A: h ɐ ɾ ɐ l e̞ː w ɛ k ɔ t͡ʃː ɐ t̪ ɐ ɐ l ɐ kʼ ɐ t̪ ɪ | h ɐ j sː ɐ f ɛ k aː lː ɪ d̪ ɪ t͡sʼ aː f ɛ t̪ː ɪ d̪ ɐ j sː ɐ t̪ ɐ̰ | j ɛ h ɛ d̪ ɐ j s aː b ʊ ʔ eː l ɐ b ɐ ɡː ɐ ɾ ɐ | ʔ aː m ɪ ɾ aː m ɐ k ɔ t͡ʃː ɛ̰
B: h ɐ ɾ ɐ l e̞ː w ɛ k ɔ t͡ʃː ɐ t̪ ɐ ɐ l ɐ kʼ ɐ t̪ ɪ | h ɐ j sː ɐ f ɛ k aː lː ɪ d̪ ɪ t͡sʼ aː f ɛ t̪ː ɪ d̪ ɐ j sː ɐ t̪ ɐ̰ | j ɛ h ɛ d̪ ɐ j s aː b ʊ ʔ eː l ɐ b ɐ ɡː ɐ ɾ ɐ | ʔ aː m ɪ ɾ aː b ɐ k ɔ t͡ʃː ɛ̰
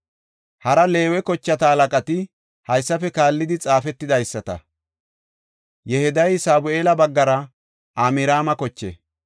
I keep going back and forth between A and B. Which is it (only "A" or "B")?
A